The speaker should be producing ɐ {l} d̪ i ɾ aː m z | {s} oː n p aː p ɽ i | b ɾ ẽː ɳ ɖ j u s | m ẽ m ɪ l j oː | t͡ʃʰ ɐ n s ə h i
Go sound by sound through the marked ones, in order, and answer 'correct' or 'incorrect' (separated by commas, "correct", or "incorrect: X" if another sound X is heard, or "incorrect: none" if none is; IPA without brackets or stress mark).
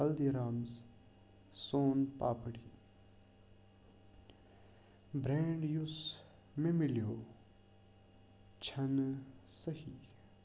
correct, correct